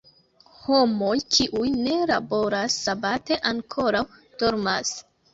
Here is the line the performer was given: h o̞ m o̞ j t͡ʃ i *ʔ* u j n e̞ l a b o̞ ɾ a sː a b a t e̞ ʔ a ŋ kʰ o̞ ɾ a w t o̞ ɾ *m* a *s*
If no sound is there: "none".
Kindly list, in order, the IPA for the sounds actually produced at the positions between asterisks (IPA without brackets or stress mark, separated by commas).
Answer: ʔ, m, s